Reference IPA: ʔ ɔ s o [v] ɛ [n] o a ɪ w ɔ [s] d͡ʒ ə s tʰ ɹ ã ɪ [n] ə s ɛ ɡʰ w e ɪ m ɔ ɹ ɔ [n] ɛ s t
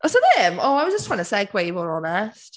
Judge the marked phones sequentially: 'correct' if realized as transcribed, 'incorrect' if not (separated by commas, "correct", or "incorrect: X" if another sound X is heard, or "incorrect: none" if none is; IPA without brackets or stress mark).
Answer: incorrect: ð, incorrect: m, incorrect: z, correct, correct